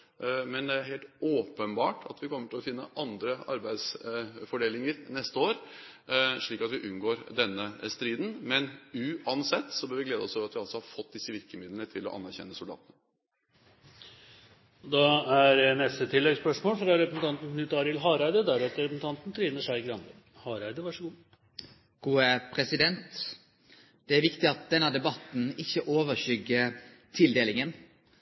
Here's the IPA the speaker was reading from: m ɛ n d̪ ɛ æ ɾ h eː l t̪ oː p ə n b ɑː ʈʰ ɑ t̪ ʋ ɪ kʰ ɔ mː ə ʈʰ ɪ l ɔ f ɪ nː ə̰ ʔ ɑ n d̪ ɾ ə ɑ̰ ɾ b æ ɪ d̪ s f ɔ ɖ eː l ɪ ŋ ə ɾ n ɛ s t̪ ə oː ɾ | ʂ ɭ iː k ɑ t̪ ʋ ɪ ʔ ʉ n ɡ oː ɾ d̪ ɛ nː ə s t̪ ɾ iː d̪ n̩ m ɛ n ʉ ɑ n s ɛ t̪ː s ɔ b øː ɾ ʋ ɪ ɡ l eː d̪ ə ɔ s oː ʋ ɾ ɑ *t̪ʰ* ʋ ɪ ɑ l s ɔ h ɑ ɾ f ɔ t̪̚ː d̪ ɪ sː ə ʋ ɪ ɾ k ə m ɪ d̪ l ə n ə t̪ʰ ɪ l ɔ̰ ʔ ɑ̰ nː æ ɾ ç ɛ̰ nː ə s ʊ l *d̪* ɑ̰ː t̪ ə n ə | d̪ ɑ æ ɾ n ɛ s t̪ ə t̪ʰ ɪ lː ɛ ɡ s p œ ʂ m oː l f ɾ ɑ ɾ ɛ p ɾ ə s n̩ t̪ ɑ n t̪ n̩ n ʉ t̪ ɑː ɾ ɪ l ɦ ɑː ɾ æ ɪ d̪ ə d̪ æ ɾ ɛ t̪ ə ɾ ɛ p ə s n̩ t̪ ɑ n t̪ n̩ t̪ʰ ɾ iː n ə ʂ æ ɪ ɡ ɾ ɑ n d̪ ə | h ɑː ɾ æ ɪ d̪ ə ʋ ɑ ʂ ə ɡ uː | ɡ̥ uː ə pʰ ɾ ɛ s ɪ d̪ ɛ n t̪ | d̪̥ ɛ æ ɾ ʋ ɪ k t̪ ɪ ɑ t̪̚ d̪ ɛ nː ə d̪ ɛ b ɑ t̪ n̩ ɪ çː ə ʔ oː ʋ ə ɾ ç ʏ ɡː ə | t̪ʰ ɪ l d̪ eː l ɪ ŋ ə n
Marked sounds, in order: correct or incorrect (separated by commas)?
incorrect, correct